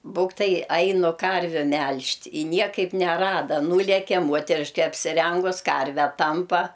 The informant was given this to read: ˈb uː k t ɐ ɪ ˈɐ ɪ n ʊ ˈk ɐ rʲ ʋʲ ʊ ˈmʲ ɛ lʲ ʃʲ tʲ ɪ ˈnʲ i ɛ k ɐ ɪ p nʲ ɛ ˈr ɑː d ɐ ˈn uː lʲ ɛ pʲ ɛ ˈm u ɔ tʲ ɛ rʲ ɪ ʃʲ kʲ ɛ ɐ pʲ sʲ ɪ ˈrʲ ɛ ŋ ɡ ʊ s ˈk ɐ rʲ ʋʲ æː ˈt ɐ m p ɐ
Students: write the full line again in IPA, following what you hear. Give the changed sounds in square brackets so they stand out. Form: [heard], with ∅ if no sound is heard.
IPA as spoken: ˈb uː k t ɐ ɪ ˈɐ ɪ n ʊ ˈk ɐ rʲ ʋʲ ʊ ˈmʲ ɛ lʲ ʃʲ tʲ ɪ ˈnʲ i ɛ k ɐ ɪ p nʲ ɛ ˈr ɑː d ɐ ˈn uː lʲ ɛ [kʲ] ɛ ˈm u ɔ tʲ ɛ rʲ ɪ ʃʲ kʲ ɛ ɐ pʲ sʲ ɪ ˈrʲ ɛ ŋ ɡ ʊ s ˈk ɐ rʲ ʋʲ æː ˈt ɐ m p ɐ

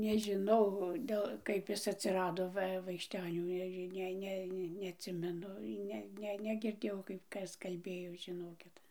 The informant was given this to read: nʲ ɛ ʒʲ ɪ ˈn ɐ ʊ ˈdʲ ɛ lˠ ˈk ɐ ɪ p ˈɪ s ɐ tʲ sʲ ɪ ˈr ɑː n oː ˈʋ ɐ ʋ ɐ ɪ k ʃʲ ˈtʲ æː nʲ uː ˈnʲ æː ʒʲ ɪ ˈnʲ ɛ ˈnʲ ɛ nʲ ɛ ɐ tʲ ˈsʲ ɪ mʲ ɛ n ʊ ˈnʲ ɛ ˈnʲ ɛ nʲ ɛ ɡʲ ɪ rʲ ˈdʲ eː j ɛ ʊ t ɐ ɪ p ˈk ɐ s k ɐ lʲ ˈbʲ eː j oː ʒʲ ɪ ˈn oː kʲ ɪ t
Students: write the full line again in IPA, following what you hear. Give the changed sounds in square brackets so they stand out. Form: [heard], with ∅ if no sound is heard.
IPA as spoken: nʲ ɛ ʒʲ ɪ ˈn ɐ ʊ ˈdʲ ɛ lˠ ˈk ɐ ɪ p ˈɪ s ɐ tʲ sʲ ɪ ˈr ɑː [d] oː ˈʋ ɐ ʋ ɐ ɪ k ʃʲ ˈtʲ æː nʲ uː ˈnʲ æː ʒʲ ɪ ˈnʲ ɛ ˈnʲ ɛ nʲ ɛ ɐ tʲ ˈsʲ ɪ mʲ ɛ n ʊ ˈnʲ ɛ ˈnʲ ɛ nʲ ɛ ɡʲ ɪ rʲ ˈdʲ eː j ɛ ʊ [k] ɐ ɪ p ˈk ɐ s k ɐ lʲ ˈbʲ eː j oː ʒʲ ɪ ˈn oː kʲ ɪ t

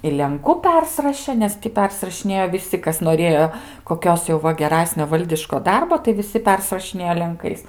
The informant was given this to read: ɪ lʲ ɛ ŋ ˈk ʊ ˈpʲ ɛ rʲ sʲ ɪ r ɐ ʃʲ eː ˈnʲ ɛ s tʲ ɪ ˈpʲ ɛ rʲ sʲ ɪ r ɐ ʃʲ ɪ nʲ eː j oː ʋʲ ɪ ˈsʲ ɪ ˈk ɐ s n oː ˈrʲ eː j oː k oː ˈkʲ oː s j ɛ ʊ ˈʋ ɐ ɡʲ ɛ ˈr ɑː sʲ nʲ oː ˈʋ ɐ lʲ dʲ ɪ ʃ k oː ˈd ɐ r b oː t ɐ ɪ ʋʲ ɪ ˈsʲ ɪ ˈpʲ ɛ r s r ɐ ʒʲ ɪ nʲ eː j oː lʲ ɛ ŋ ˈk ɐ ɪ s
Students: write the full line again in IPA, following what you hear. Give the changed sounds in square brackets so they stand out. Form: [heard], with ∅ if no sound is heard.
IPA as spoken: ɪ lʲ ɛ ŋ ˈk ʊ ˈpʲ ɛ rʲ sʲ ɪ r ɐ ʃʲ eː ˈnʲ ɛ s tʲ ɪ ˈpʲ ɛ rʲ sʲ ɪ r ɐ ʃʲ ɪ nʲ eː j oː ʋʲ ɪ ˈsʲ ɪ ˈk ɐ s n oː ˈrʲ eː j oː k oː ˈkʲ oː s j ɛ ʊ ˈʋ ɐ ɡʲ ɛ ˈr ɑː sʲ nʲ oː ˈʋ ɐ lʲ dʲ ɪ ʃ k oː ˈd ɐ r b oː t ɐ ɪ ʋʲ ɪ ˈsʲ ɪ ˈpʲ ɛ r s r ɐ [ʃʲ] ɪ nʲ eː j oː lʲ ɛ ŋ ˈk ɐ ɪ s

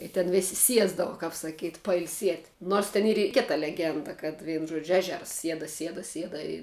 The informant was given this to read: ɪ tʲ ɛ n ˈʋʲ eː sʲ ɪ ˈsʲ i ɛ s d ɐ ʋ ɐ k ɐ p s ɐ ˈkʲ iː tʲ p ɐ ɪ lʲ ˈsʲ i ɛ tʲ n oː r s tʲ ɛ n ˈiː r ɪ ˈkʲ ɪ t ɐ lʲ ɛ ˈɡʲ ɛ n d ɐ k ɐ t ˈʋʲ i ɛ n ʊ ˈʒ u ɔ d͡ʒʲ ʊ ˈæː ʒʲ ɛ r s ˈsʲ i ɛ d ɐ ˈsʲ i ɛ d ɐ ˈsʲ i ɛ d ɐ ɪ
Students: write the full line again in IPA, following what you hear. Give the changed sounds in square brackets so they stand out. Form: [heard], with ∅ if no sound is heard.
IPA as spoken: ɪ tʲ ɛ n ˈʋʲ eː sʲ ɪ ˈsʲ i ɛ [z] d ɐ ʋ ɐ k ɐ p s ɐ ˈkʲ iː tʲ p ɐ ɪ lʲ ˈsʲ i ɛ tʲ n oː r s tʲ ɛ n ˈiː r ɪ ˈkʲ ɪ t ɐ lʲ ɛ ˈɡʲ ɛ n d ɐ k ɐ t ˈʋʲ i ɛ n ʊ ˈʒ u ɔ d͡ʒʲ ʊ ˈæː ʒʲ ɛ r s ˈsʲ i ɛ d ɐ ˈsʲ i ɛ d ɐ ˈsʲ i ɛ d ɐ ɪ

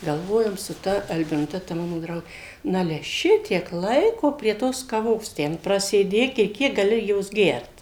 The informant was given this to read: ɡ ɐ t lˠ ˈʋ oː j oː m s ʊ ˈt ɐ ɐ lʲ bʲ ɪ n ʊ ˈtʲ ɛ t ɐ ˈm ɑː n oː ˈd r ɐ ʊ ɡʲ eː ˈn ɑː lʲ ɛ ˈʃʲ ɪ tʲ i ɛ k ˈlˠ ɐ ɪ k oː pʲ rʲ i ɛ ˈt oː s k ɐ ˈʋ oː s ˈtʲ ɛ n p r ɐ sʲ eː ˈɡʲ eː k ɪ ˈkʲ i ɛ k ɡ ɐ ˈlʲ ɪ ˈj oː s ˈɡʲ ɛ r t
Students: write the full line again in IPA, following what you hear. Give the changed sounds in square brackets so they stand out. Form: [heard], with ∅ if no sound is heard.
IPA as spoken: ɡ ɐ [∅] lˠ ˈʋ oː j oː m s ʊ ˈt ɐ ɐ lʲ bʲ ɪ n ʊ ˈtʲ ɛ t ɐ ˈm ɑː n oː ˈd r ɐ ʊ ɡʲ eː ˈn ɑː lʲ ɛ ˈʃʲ ɪ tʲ i ɛ k ˈlˠ ɐ ɪ k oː pʲ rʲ i ɛ ˈt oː s k ɐ ˈʋ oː s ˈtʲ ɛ n p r ɐ sʲ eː [ˈdʲ] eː k ɪ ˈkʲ i ɛ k ɡ ɐ ˈlʲ ɪ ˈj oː s ˈɡʲ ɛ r t

